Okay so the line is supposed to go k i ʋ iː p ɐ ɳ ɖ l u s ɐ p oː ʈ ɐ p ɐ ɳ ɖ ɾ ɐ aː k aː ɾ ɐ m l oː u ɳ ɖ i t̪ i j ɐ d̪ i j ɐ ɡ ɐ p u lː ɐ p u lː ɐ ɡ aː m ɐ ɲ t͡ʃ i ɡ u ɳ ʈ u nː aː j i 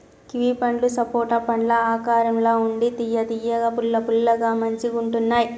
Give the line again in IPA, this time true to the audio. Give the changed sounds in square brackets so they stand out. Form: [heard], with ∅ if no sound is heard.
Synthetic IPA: k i ʋ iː p ɐ ɳ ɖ l u s ɐ p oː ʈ ɐ p ɐ ɳ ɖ [l] ɐ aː k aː ɾ ɐ m l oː u ɳ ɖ i t̪ i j ɐ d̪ i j ɐ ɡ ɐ p u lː ɐ p u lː ɐ ɡ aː m ɐ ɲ t͡ʃ i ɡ u ɳ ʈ u nː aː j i